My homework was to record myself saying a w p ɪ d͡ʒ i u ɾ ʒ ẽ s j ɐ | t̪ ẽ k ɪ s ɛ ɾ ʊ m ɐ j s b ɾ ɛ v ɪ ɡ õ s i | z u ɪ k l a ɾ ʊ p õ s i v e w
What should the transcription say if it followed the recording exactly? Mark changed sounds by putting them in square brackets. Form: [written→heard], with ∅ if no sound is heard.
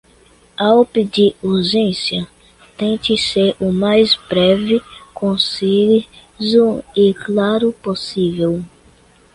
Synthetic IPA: a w p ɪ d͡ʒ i u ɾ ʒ ẽ s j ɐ | t̪ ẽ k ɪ s [ɛ→e] ɾ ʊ m [ɐ→a] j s b ɾ ɛ v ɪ [ɡ→k] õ s i | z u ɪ k l a ɾ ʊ p [õ→o] s i v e w